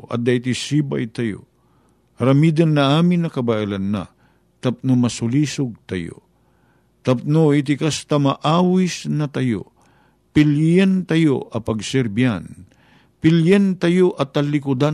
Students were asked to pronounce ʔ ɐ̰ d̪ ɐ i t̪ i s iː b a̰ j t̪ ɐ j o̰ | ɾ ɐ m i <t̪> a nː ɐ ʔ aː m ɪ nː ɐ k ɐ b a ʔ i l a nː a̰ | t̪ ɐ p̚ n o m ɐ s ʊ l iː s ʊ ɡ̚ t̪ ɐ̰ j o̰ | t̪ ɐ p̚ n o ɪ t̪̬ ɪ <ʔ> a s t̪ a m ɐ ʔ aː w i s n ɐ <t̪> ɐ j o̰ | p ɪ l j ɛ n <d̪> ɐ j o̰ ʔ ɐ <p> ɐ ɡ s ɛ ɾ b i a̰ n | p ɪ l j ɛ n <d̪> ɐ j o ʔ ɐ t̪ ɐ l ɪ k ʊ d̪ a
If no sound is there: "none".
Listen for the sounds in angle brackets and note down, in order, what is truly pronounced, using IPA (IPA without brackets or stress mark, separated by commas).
d̪, k, t̪, t̪, p, t̪